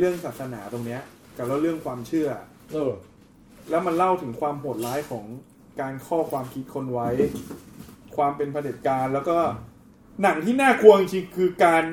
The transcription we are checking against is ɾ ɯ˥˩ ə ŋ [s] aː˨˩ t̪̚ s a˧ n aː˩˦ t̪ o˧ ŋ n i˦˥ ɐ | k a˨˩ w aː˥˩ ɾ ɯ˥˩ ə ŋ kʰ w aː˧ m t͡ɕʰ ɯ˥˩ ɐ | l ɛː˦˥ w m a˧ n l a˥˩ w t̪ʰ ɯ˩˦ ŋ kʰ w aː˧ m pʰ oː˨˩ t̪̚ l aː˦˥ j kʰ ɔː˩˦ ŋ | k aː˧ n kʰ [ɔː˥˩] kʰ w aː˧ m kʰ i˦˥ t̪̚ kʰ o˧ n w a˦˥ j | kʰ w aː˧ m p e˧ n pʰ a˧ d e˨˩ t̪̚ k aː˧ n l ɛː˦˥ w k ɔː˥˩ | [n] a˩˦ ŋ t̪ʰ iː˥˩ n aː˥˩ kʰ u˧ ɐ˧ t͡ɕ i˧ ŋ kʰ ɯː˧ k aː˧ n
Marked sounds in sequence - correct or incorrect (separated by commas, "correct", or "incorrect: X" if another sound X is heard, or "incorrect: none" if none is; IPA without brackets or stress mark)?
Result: correct, correct, correct